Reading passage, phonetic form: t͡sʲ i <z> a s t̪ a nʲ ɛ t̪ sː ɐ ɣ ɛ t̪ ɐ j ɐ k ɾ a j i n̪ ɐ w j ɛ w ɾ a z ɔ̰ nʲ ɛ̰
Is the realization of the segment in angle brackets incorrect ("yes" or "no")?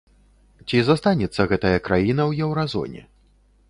no